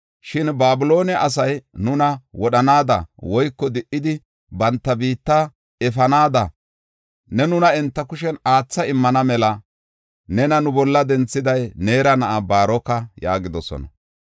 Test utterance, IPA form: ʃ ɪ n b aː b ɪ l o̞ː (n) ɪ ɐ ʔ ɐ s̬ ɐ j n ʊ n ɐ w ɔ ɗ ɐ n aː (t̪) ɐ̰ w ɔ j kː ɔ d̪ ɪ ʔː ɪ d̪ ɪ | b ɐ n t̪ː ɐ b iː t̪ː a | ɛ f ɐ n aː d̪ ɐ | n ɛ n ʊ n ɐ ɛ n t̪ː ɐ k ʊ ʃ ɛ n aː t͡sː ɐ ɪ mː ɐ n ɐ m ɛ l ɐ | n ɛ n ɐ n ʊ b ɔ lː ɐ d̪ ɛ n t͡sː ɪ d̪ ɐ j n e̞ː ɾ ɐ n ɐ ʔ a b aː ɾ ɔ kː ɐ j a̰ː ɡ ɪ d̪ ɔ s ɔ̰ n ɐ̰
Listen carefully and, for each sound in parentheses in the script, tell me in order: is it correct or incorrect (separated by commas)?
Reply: correct, incorrect